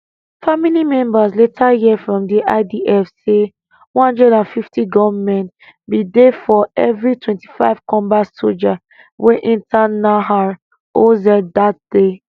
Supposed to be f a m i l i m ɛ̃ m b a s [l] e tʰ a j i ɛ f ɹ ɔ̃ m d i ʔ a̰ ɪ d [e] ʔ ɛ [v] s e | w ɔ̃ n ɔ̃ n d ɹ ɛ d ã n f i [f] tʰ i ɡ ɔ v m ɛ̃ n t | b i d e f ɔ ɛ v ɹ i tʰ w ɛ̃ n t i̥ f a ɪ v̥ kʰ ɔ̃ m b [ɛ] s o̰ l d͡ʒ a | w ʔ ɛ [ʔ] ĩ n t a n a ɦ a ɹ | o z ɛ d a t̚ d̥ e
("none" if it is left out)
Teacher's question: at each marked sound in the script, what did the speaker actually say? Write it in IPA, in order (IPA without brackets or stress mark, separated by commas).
l, i, f, f, a, ʔ